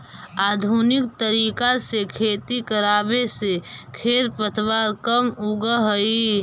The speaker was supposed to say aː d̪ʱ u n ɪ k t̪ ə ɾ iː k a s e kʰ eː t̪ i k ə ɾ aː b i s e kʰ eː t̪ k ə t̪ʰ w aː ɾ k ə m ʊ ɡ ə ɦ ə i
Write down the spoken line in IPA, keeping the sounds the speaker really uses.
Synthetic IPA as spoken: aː d̪ʱ u n ɪ k t̪ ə ɾ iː k a s e kʰ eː t̪ i k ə ɾ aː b e s e kʰ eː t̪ p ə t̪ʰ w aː ɾ k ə m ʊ ɡ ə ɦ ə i

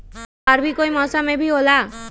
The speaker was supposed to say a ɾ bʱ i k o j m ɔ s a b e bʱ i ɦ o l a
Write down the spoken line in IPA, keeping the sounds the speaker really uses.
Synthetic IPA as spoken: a ɾ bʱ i k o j m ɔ s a m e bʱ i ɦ o l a

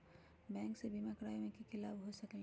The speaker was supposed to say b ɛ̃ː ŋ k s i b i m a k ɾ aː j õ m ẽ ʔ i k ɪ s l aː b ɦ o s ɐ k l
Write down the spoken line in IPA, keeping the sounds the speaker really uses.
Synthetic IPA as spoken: b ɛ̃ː ŋ k s e b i m a k ɾ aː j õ m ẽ k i k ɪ l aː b ɦ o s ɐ k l

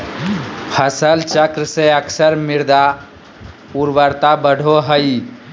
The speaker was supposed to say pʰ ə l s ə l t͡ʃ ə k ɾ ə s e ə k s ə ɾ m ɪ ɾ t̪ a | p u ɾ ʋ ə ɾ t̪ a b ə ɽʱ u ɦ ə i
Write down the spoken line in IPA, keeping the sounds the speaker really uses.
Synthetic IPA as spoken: pʰ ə s ə l t͡ʃ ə k ɾ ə s e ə k s ə ɾ m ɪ ɾ d̪ a | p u ɾ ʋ ə ɾ t̪ a b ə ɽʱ o ɦ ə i

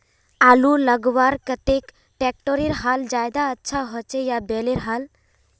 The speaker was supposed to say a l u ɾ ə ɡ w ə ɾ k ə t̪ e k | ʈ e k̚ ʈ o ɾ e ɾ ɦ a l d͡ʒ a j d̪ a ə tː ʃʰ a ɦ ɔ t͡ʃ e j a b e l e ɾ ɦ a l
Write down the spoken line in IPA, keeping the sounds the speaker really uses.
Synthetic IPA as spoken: a l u l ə ɡ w a ɾ k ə t̪ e k | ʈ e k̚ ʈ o ɾ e ɾ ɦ a l d͡ʒ a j d̪ a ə tː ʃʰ a ɦ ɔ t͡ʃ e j a b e l e ɾ ɦ a l

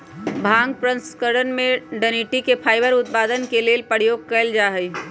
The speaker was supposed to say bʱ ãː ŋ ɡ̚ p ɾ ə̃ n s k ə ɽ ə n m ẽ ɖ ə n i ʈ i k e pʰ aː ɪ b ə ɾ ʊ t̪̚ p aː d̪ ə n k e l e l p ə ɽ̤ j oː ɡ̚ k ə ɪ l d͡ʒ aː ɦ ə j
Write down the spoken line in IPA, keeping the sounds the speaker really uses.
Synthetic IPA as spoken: bʱ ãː ŋ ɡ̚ p ɾ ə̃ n s k ə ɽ ə n m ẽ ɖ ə n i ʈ i k e pʰ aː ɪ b ə ɾ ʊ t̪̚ p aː d̪ ə n k e l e l p ə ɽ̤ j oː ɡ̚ k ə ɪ l d͡ʒ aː ɦ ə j

